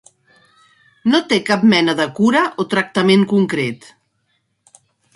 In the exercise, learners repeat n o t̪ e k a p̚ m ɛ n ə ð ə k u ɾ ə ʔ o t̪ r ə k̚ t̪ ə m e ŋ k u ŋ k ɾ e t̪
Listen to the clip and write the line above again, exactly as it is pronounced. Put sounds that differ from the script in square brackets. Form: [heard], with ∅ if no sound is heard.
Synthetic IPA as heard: n o t̪ e k a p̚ m ɛ n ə ð ə k u ɾ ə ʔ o t̪ [ɾ] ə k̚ t̪ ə m e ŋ k u ŋ k ɾ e t̪